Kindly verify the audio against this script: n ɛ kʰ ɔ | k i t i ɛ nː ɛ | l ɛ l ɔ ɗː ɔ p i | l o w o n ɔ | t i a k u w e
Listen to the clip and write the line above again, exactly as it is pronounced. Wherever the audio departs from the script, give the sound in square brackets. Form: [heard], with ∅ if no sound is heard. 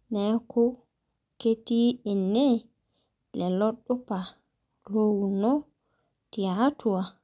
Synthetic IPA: n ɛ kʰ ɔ | k [e] t i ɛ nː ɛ | l ɛ l ɔ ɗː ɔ p [a] | l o w [u] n ɔ | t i a [t] u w [a]